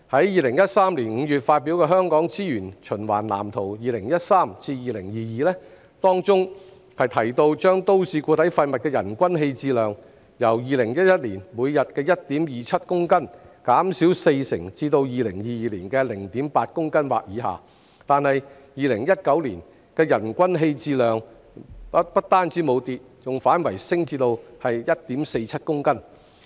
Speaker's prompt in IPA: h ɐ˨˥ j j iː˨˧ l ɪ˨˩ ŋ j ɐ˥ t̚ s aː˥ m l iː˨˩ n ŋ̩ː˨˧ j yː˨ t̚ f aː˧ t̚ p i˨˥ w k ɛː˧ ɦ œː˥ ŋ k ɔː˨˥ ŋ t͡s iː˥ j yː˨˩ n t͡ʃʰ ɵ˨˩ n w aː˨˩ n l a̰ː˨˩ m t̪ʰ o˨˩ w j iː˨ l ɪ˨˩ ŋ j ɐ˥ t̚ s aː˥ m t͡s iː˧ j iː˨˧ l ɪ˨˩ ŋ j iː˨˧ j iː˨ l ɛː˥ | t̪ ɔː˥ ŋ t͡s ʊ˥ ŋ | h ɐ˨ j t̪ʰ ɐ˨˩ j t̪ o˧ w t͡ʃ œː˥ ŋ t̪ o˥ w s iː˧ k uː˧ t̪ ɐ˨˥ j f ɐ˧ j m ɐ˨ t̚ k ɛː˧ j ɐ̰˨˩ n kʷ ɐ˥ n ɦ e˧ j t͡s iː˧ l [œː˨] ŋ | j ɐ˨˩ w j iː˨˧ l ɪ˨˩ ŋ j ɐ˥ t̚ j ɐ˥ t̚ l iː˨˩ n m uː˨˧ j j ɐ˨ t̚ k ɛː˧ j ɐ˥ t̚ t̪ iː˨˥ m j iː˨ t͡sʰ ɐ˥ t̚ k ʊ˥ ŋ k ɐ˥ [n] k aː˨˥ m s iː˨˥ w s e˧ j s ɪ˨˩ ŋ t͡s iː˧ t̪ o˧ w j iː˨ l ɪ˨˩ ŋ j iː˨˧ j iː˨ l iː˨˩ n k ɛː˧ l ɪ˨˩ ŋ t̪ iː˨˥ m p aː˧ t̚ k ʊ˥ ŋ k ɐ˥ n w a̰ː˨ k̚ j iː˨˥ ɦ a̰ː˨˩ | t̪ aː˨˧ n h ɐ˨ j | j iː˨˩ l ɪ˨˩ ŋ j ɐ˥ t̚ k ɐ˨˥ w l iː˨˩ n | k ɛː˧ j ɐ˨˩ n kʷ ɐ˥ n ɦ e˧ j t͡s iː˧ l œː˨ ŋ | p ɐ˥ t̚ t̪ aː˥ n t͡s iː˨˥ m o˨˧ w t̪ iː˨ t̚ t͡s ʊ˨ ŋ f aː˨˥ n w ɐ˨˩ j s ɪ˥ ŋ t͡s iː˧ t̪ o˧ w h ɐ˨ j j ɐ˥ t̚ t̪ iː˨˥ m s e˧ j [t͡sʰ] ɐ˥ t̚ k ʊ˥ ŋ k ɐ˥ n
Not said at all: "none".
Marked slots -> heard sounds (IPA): œː˨, n, t͡sʰ

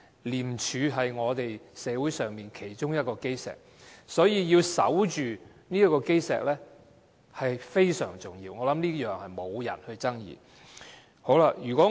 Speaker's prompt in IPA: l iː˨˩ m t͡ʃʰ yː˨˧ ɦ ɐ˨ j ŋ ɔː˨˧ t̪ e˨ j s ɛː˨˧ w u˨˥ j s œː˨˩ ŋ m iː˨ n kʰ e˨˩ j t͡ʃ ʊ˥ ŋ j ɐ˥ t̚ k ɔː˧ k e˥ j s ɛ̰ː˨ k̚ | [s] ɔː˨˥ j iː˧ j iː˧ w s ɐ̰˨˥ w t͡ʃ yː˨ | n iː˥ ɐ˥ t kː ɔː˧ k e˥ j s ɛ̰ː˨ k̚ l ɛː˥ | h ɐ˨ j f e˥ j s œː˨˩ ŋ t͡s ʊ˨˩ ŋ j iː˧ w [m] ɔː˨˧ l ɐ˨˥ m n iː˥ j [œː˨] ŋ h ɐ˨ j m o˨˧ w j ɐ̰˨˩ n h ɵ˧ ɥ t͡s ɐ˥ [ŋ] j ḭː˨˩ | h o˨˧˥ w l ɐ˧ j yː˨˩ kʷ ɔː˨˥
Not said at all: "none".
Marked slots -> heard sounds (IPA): s, ŋ, œː˨, ŋ

